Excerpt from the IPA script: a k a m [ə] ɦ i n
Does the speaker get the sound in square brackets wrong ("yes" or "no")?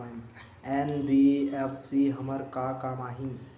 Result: yes